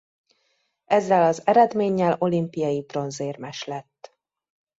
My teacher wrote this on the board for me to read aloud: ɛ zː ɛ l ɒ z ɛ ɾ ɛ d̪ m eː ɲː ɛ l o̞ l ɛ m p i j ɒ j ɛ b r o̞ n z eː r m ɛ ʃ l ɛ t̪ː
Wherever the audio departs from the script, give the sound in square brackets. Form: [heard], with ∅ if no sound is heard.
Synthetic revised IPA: ɛ zː ɛ l ɒ z ɛ ɾ ɛ d̪ m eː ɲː ɛ l o̞ l [i] m p i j ɒ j [i] b r o̞ n z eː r m ɛ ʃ l ɛ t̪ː